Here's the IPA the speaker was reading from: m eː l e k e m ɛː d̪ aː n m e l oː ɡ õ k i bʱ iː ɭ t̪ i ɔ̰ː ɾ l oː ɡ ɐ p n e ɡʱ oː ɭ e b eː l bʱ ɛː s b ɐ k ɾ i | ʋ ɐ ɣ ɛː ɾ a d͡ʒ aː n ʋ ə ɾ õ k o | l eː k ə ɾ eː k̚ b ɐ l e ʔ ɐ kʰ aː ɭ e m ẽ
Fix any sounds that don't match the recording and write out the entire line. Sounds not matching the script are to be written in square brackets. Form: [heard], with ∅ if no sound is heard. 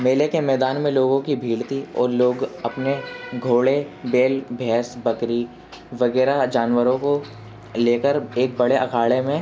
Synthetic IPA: m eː l e k e m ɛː d̪ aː n m [ẽ] l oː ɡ õ k i bʱ iː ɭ t̪ i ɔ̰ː ɾ l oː ɡ ɐ p n e ɡʱ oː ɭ e b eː l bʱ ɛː s b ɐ k ɾ i | ʋ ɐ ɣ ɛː ɾ a d͡ʒ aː n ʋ ə ɾ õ k o | l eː k ə ɾ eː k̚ b ɐ [ɽ] e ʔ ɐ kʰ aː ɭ e m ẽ